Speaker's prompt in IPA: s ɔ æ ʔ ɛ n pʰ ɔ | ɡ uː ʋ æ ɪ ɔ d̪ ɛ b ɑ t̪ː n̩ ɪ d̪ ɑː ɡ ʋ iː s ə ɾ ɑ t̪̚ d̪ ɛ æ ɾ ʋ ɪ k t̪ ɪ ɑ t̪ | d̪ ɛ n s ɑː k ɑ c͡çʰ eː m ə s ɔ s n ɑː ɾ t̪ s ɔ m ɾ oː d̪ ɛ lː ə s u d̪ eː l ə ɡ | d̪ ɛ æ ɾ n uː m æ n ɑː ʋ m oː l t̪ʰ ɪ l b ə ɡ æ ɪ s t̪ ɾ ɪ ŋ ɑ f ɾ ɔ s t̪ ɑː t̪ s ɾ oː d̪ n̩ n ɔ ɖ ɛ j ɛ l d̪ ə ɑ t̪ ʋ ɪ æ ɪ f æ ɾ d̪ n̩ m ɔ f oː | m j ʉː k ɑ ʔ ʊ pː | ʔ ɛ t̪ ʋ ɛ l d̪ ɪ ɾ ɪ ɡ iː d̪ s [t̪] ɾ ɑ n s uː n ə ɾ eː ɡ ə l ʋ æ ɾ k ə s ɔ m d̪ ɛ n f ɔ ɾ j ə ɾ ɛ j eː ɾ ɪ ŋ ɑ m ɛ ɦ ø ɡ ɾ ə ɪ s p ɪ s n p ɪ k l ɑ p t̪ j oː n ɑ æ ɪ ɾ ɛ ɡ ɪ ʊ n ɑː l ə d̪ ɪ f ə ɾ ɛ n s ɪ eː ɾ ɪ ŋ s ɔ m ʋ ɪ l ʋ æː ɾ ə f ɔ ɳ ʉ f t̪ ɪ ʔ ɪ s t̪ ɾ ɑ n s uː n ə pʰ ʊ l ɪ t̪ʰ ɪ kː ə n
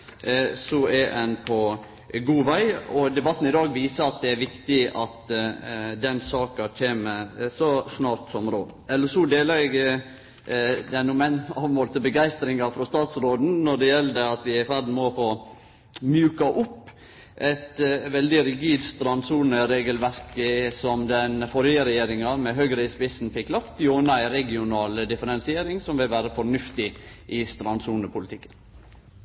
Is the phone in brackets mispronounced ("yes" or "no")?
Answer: no